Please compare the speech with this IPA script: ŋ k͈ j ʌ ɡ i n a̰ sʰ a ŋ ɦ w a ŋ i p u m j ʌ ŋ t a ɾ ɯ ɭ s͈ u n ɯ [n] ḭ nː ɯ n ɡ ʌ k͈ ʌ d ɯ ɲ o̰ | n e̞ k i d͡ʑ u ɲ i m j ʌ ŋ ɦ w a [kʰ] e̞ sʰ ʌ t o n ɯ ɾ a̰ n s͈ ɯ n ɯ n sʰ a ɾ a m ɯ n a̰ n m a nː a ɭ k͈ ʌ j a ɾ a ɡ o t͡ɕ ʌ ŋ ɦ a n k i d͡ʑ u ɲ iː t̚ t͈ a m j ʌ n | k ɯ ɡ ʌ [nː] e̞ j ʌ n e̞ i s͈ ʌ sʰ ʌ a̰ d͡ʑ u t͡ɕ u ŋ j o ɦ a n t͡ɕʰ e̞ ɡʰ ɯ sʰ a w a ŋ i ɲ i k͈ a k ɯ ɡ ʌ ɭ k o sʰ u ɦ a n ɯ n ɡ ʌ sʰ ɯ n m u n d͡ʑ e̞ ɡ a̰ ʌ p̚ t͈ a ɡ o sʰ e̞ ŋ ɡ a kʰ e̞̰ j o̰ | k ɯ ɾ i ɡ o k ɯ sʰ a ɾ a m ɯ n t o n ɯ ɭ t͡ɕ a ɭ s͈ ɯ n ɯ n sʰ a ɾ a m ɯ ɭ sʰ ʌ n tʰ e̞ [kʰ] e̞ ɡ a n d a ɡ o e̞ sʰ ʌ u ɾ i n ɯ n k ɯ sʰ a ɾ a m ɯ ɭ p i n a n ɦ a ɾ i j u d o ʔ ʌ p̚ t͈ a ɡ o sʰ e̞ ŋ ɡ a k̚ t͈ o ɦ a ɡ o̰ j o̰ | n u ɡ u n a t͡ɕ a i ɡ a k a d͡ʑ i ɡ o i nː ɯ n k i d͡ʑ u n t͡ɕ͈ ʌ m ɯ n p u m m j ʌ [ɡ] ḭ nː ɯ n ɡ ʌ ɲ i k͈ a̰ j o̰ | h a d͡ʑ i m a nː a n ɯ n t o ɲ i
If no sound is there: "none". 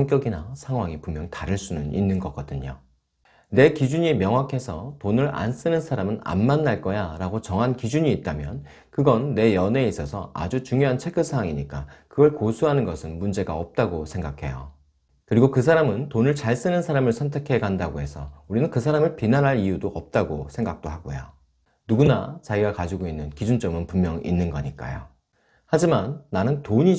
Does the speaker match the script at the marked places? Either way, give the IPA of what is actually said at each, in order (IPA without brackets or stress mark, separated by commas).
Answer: n, kʰ, nː, kʰ, ŋ